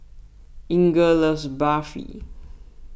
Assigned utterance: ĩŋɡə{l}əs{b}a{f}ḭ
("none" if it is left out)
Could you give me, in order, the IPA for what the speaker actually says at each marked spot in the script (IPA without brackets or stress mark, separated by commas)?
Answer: l, b, f